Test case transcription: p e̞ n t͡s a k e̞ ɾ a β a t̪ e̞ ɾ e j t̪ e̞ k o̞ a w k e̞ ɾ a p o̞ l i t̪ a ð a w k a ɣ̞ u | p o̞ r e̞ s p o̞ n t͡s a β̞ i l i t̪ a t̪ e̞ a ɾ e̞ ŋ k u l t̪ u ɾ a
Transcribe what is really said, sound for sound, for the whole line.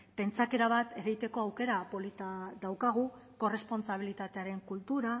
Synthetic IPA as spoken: p e̞ n t͡s a k e̞ ɾ a β a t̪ e̞ ɾ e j t̪ e̞ k o̞ a w k e̞ ɾ a p o̞ l i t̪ a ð a w k a ɣ̞ u | k o̞ r e̞ s p o̞ n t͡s a β̞ i l i t̪ a t̪ e̞ a ɾ e̞ ŋ k u l t̪ u ɾ a